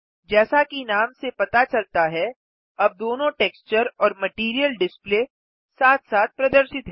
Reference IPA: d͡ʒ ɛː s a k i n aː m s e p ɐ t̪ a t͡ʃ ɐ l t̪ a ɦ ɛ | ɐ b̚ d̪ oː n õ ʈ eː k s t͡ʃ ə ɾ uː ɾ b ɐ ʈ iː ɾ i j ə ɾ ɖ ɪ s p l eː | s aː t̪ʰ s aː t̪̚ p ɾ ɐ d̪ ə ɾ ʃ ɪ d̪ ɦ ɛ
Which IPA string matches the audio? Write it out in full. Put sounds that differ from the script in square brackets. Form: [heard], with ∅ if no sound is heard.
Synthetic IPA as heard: d͡ʒ ɛː s a k i n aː m s e p ɐ t̪ a t͡ʃ ɐ l t̪ a ɦ ɛ | ɐ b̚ d̪ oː n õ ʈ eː k s t͡ʃ ə ɾ [ɔː] ɾ [m] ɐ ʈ iː ɾ i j ə [l] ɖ ɪ s p l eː | s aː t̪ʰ s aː t̪̚ p ɾ ɐ d̪ ə ɾ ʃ ɪ [t̪] ɦ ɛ

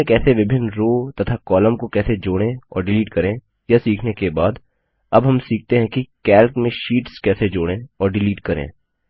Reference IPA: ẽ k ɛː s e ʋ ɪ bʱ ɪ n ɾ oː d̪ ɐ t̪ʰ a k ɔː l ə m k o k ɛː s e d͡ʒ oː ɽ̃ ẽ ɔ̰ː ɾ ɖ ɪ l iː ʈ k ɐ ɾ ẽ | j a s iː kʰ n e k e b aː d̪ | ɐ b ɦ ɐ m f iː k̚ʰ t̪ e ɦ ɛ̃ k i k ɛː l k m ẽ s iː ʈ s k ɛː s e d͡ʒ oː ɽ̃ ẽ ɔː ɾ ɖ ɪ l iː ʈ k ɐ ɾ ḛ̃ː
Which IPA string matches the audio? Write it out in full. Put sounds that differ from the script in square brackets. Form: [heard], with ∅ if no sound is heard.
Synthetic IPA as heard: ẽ k ɛː s e ʋ ɪ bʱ ɪ n ɾ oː [t̪] ɐ t̪ʰ a k ɔː l ə m k o k ɛː s e d͡ʒ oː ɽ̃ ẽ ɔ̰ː ɾ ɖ ɪ l iː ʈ k ɐ ɾ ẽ | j a s iː kʰ n e k e b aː d̪ | ɐ b ɦ ɐ m [s] iː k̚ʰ t̪ e ɦ ɛ̃ k i k ɛː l k m ẽ [ʃ] iː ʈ s k ɛː s e d͡ʒ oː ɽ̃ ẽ ɔː ɾ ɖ ɪ l iː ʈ k ɐ ɾ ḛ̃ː

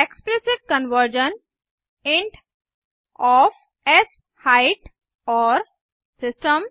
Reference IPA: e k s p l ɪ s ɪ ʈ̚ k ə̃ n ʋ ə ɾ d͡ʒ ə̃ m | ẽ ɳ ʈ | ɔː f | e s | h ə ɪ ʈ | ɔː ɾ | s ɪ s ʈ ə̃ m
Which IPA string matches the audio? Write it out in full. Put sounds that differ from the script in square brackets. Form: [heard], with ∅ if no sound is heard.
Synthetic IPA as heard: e k s p l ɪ s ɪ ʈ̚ k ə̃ n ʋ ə ɾ d͡ʒ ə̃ [n] | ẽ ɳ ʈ | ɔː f | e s | h [a] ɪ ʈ | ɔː ɾ | s ɪ s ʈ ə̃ m

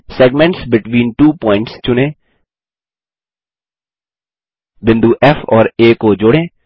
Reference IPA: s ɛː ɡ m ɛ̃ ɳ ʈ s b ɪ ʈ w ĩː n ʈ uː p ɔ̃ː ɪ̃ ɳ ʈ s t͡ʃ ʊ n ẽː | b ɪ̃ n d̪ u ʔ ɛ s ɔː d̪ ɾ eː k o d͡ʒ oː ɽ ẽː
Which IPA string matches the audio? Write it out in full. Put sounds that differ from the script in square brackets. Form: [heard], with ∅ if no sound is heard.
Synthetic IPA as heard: s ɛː ɡ m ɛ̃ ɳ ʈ s b ɪ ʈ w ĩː n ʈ uː p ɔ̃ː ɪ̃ ɳ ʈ s t͡ʃ ʊ n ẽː | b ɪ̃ n d̪ u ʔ ɛ [f] ɔː [∅] ɾ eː k o d͡ʒ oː ɽ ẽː

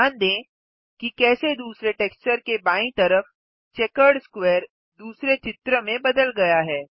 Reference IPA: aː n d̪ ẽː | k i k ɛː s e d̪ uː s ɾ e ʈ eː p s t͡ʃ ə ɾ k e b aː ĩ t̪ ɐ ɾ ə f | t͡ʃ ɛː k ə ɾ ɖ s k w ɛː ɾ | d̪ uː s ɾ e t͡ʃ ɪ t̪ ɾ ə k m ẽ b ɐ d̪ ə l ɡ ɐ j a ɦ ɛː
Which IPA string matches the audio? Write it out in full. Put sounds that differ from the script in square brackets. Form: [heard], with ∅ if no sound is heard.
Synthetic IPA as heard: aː n d̪ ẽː | k i k ɛː s e d̪ uː s ɾ e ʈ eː [k] s t͡ʃ ə ɾ k e b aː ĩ t̪ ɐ ɾ ə f | t͡ʃ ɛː k ə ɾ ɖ s k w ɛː ɾ | d̪ uː s ɾ e t͡ʃ ɪ t̪ ɾ ə [∅] m ẽ b ɐ d̪ ə l ɡ ɐ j a ɦ ɛː

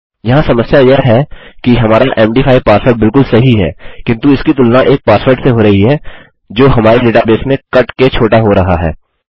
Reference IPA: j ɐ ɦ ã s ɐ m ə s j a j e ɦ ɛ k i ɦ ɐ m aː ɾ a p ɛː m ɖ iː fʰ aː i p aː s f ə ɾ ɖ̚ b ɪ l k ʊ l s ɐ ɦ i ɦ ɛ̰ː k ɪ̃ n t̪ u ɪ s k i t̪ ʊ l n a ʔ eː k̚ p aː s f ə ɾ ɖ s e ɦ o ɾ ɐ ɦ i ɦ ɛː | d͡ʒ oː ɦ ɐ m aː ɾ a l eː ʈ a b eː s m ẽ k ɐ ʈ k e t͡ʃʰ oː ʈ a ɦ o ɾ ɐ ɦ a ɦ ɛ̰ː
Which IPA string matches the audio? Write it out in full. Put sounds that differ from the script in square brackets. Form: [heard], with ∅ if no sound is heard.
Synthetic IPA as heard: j ɐ ɦ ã s ɐ m ə s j a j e ɦ ɛ k i ɦ ɐ m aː ɾ a [ʔ] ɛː m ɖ iː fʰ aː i p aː s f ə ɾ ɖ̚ b ɪ l k ʊ l s ɐ ɦ i ɦ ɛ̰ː k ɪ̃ n t̪ u ɪ s k i t̪ ʊ l n a ʔ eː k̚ p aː s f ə ɾ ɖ s e ɦ o ɾ ɐ ɦ i ɦ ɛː | d͡ʒ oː ɦ ɐ m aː ɾ [e] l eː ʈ a b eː s m ẽ k ɐ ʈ k e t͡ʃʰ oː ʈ a ɦ o ɾ ɐ ɦ a ɦ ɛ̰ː

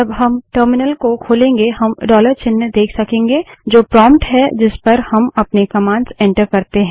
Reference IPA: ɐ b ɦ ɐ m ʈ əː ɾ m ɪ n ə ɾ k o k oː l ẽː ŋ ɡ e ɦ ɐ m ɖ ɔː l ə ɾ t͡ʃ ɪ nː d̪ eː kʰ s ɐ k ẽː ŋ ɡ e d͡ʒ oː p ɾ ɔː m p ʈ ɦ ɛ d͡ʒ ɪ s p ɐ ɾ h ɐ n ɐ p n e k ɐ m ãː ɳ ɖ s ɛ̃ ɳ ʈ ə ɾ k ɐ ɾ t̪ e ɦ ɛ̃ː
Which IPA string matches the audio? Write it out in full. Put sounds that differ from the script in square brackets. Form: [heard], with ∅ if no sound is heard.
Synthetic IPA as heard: ɐ b ɦ ɐ m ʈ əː ɾ m ɪ n ə [l] k o [kʰ] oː l ẽː ŋ ɡ e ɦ ɐ m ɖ ɔː l ə ɾ t͡ʃ ɪ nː d̪ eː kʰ s ɐ k ẽː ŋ ɡ e d͡ʒ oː p ɾ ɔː m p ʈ ɦ ɛ d͡ʒ ɪ s p ɐ ɾ h ɐ [m] ɐ p n e k ɐ m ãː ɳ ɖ s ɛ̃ ɳ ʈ ə ɾ k ɐ ɾ t̪ e ɦ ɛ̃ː

